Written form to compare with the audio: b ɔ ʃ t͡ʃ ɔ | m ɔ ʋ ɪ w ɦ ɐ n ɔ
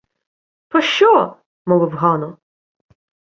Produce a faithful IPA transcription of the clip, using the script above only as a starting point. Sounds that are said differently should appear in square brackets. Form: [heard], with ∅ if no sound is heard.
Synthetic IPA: [p] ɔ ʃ t͡ʃ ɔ | m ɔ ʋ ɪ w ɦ [ɑ] n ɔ